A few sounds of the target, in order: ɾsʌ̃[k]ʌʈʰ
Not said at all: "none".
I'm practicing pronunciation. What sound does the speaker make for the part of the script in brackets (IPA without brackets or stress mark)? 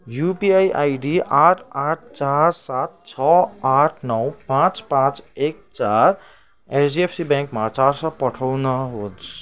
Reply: p